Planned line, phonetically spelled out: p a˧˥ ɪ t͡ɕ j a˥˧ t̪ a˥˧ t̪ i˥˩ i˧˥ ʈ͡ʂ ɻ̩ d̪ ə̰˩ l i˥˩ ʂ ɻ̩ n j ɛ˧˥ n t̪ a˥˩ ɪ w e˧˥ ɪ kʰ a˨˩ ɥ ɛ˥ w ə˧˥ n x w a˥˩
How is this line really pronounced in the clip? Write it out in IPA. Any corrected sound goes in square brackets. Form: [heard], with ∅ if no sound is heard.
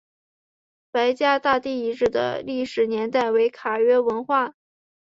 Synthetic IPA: p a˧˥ ɪ t͡ɕ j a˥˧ t̪ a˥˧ t̪ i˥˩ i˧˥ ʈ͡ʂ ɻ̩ d̪ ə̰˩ l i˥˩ ʂ ɻ̩ n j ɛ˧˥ n t̪ a˥˩ ɪ w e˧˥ ɪ kʰ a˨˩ ɥ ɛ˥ w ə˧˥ n x w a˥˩